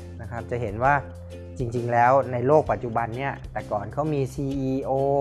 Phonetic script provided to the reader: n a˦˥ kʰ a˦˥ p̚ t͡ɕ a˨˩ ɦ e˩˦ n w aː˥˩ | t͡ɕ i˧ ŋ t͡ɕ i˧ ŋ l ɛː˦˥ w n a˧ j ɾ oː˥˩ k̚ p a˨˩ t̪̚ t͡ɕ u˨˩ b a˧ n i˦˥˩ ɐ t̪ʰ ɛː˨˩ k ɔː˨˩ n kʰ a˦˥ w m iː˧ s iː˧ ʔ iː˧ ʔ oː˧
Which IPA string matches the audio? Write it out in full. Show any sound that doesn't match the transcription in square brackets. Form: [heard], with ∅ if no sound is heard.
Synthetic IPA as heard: n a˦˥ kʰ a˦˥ p̚ t͡ɕ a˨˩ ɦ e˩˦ n w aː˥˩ | t͡ɕ i˧ ŋ t͡ɕ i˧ ŋ l ɛː˦˥ w n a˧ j [l] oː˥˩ k̚ p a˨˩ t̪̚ t͡ɕ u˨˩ b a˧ [nː] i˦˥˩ ɐ [t̪] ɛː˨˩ k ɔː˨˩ n kʰ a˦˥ w m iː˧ s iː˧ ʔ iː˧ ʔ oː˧

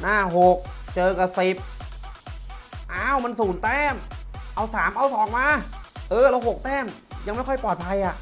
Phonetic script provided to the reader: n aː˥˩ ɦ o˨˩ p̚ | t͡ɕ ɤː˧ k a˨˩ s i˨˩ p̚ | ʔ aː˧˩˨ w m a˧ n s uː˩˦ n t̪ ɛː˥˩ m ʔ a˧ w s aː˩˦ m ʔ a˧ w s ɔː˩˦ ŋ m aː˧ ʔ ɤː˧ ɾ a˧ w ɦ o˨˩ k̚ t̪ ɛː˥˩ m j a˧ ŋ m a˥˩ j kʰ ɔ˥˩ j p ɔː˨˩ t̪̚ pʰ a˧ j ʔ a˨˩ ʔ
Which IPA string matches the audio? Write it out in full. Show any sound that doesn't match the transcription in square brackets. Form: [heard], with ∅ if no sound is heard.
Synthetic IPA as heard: n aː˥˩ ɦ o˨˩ [k̚] | t͡ɕ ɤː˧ k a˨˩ s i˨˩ p̚ | ʔ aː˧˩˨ w m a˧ n s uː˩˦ n t̪ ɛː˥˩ m ʔ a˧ w s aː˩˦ m ʔ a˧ w s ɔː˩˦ ŋ m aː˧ ʔ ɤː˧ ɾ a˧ w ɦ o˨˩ k̚ t̪ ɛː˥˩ m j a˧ ŋ m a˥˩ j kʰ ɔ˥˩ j p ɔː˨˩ t̪̚ pʰ a˧ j ʔ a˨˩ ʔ

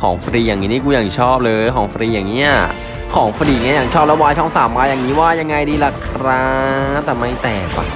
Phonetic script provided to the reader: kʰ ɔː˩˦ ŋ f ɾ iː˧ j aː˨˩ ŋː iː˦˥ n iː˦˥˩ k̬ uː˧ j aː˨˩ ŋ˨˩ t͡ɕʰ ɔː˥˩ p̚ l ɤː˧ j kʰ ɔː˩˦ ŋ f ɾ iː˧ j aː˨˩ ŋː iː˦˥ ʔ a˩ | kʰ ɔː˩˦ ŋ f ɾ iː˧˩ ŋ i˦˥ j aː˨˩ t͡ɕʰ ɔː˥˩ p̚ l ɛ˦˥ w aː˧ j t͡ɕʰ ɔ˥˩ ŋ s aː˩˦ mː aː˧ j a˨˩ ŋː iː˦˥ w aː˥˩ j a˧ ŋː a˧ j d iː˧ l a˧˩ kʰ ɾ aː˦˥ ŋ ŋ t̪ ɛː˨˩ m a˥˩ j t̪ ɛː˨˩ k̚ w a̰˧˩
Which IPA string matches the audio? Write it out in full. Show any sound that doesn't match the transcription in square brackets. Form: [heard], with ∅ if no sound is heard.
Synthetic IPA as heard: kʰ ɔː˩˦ ŋ f ɾ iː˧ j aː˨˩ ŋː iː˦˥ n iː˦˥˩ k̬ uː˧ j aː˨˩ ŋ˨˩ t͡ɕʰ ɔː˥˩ p̚ l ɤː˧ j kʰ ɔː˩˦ ŋ f ɾ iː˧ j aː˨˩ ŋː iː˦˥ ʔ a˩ | kʰ ɔː˩˦ ŋ f ɾ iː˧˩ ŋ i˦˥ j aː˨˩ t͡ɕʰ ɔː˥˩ p̚ l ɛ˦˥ w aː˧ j t͡ɕʰ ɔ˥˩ ŋ s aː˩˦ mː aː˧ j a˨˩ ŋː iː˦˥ w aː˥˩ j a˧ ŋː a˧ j d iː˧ l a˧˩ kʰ ɾ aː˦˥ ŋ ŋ t̪ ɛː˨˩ m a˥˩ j t̪ ɛː˨˩ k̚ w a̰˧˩

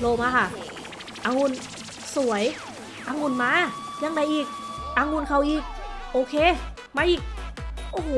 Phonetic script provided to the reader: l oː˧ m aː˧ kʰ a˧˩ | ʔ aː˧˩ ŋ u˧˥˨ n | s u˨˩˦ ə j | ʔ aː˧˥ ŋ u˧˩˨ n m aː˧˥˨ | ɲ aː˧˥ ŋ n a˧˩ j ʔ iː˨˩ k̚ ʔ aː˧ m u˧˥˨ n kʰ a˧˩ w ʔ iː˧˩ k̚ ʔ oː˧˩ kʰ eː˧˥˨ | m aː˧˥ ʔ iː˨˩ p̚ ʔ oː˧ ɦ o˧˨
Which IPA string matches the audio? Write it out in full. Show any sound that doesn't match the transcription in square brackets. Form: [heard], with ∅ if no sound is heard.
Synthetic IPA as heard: l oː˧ m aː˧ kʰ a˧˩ | ʔ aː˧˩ ŋ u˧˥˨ n | s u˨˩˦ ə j | ʔ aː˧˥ ŋ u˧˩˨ n m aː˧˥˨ | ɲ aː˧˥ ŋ [d] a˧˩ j ʔ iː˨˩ k̚ ʔ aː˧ [ŋ] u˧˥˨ n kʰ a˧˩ w ʔ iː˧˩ k̚ ʔ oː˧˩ kʰ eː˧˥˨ | m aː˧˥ ʔ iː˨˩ [k̚] ʔ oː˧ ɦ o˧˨

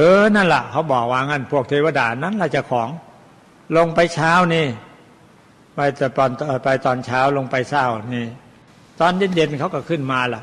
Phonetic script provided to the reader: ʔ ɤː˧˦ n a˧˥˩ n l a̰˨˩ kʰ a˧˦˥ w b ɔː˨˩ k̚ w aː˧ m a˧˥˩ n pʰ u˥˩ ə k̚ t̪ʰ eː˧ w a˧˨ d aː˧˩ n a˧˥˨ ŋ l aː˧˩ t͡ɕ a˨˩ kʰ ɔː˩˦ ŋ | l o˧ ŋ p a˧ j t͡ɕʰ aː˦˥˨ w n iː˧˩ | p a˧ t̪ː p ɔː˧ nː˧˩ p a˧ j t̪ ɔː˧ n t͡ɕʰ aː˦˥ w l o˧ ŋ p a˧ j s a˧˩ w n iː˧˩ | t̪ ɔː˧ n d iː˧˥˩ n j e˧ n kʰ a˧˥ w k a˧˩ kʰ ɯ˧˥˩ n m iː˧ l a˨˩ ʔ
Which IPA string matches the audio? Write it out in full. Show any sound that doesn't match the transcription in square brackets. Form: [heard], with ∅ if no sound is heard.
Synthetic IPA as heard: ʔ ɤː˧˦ n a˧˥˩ n l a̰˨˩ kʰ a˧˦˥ w b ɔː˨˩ k̚ w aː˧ [ŋ] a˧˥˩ n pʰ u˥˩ ə k̚ t̪ʰ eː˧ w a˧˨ d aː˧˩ n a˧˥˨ [n] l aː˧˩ t͡ɕ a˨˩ kʰ ɔː˩˦ ŋ | l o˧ ŋ p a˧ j t͡ɕʰ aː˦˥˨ w n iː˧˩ | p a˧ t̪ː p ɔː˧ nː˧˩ p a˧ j t̪ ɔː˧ n t͡ɕʰ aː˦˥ w l o˧ ŋ p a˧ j s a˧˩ w n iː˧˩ | t̪ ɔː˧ n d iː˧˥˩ n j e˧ n kʰ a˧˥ w k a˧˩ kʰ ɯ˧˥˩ n m [aː˧] l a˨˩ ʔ

